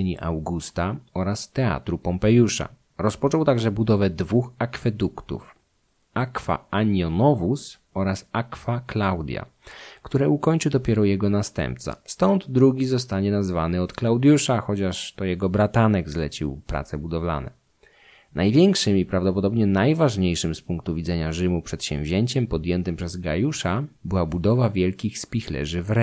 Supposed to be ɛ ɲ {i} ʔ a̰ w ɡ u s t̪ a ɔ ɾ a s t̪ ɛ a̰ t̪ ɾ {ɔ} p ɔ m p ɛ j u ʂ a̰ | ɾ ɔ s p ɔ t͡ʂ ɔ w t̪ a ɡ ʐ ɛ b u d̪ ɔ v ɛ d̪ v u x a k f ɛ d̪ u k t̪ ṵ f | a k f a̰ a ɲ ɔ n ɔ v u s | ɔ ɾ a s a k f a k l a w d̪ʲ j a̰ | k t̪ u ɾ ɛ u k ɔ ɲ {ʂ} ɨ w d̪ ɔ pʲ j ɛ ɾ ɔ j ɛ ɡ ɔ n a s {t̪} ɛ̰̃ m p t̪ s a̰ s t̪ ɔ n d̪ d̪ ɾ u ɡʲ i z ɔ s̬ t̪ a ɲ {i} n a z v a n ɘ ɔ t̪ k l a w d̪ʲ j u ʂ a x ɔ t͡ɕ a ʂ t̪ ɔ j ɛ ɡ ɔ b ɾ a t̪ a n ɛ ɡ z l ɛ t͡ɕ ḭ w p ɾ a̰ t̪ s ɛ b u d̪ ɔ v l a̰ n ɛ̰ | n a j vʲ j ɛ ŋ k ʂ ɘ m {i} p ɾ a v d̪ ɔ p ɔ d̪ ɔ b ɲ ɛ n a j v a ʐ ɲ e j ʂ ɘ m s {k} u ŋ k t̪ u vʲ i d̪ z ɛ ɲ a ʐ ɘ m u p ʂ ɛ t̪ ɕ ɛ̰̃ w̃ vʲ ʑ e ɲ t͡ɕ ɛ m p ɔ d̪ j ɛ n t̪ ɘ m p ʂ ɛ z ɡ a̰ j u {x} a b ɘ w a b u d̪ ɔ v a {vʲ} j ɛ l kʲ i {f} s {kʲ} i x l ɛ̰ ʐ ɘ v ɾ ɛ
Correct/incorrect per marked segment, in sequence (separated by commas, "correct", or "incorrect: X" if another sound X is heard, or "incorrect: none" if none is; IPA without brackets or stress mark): correct, incorrect: u, incorrect: t͡ʂ, correct, incorrect: ɛ, correct, incorrect: p, incorrect: ʂ, correct, incorrect: x, incorrect: pʲ